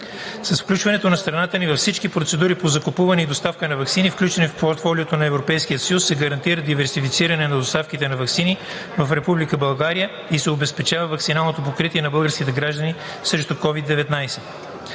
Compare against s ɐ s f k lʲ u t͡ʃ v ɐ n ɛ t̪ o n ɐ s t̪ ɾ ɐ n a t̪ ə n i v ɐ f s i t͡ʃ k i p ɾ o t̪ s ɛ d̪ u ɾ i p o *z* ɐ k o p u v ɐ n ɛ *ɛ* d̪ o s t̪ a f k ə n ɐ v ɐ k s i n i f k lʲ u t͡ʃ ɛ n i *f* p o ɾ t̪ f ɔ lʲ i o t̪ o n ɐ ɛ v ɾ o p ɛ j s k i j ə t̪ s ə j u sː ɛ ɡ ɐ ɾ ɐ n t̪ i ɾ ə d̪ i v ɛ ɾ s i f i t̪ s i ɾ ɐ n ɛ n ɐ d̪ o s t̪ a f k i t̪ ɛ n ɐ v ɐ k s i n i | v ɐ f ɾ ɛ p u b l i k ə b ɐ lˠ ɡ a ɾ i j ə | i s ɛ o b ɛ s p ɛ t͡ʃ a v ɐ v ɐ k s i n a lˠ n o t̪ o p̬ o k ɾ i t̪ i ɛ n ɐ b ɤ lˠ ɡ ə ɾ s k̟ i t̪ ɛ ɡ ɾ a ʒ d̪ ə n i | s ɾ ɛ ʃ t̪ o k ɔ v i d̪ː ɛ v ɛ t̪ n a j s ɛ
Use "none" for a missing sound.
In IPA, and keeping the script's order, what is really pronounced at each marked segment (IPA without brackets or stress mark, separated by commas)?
z, i, f